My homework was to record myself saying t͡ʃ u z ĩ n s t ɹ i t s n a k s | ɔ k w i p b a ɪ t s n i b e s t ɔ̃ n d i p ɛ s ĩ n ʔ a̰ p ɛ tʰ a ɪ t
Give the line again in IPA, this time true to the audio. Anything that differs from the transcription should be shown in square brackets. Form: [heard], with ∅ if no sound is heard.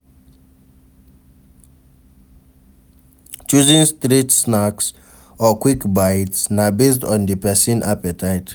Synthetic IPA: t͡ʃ u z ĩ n s t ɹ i t s n a k s | ɔ k w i [k] b a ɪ t s n [a] b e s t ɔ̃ n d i p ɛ s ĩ n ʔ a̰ p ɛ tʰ a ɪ t